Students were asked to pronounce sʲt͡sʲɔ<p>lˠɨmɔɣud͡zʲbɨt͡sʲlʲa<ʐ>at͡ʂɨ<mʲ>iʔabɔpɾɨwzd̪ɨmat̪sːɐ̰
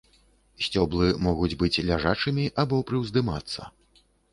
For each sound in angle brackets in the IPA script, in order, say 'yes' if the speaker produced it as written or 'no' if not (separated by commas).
no, yes, yes